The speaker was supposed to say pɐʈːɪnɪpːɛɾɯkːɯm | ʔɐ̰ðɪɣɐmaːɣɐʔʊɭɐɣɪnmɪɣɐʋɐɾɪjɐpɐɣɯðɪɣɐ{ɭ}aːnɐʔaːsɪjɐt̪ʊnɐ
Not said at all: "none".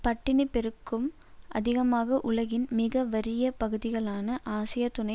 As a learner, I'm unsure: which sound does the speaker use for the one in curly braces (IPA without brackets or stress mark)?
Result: ɭ